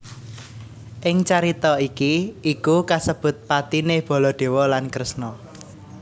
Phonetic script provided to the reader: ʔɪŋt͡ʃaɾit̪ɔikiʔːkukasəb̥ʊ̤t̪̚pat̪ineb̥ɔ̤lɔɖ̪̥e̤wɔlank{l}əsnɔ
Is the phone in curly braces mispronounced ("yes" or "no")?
yes